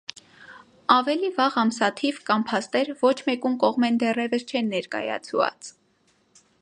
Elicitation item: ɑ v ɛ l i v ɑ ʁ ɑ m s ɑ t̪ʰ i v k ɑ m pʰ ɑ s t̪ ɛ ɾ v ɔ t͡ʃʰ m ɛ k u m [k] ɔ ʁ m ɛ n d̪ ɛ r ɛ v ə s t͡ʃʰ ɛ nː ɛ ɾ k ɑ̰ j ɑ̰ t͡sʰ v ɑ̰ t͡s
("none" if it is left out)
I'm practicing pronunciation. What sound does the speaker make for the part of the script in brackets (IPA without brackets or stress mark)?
k